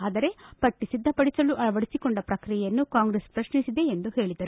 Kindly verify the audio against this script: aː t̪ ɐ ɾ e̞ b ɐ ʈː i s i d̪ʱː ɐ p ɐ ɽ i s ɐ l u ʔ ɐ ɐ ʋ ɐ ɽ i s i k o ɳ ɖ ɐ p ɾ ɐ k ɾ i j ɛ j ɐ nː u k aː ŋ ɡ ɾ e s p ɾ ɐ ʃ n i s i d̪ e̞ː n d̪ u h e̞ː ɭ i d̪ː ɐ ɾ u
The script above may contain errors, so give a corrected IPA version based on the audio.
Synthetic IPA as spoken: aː d̪ ɐ ɾ e̞ p ɐ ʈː i s i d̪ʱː ɐ p ɐ ɽ i s ɐ l u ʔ ɐ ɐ ʋ ɐ ɽ i s i k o ɳ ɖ ɐ p ɾ ɐ k ɾ i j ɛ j ɐ nː u k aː ŋ ɡ ɾ e s p ɾ ɐ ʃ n i s i d̪ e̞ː n d̪ u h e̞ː ɭ i d̪ ɐ ɾ u